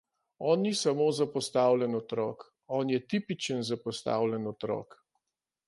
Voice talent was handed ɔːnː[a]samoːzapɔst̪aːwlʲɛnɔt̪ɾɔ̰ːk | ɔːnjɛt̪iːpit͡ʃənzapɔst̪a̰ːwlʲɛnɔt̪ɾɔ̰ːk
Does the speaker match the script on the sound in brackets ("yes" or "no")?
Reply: no